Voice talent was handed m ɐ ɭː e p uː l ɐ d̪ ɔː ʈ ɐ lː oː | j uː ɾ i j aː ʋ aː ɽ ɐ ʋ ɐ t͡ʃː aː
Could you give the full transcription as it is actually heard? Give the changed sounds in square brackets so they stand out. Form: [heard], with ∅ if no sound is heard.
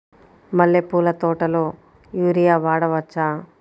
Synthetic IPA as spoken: m ɐ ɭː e p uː l ɐ [t̪] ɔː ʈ ɐ [l] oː | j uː ɾ i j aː ʋ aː ɽ ɐ ʋ ɐ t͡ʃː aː